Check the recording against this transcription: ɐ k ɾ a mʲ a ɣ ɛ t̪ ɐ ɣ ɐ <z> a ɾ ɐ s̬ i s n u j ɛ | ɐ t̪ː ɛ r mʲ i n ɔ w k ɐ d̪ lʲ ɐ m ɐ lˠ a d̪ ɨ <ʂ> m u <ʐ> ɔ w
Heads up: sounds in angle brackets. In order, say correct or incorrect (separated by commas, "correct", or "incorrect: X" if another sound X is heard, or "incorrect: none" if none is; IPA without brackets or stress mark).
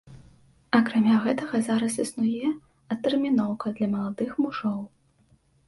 correct, incorrect: x, correct